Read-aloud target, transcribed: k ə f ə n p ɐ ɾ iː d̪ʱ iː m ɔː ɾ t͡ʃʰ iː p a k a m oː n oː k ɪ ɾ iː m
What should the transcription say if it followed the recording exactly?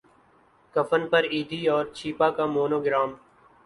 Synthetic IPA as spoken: k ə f ə n p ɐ ɾ iː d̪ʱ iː ɔː ɾ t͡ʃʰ iː p a k a m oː n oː ɡ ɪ ɾ aː m